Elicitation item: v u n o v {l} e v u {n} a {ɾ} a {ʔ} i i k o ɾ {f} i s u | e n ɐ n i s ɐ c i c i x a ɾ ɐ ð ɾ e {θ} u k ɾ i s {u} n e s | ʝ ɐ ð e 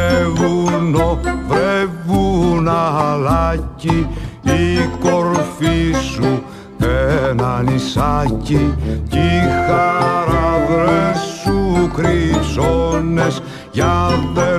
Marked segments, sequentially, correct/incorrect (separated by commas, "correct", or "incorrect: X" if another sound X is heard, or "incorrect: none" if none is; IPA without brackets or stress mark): incorrect: ɾ, correct, incorrect: l, incorrect: c, correct, incorrect: s, incorrect: o